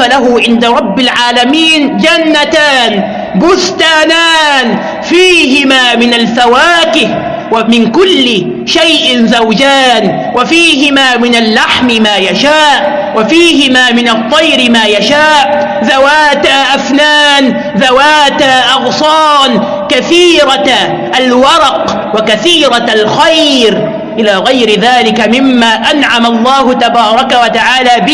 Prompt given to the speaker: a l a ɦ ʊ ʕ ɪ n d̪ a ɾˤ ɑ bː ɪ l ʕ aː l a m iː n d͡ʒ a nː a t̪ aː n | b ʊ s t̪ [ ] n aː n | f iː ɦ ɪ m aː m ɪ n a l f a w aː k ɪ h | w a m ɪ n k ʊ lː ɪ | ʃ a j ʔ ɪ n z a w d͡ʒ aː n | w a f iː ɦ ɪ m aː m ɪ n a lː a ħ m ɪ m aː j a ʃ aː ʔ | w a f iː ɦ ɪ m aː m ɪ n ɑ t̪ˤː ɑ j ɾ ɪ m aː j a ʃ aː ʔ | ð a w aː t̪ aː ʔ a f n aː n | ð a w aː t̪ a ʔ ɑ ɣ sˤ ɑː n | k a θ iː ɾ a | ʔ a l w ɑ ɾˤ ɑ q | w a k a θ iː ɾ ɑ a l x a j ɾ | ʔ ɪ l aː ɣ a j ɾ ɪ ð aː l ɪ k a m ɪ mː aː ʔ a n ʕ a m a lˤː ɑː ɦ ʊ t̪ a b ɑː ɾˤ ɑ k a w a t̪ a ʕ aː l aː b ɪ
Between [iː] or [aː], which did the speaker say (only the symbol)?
aː